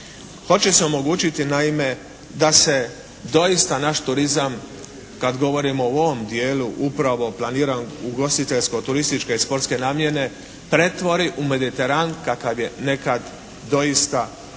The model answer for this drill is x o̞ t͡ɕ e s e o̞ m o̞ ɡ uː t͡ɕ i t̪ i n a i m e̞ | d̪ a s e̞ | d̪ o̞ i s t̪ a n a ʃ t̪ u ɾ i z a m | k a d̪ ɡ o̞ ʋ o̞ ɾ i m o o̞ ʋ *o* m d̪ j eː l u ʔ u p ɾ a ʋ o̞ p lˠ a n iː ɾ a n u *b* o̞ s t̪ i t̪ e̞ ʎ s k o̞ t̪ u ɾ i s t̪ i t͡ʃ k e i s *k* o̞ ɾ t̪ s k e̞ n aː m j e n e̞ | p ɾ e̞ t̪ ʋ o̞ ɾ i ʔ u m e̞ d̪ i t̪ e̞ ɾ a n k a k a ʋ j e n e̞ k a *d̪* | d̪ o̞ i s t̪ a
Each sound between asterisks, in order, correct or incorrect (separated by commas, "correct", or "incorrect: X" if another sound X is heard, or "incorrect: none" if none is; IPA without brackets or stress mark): correct, incorrect: ɡ, incorrect: p, correct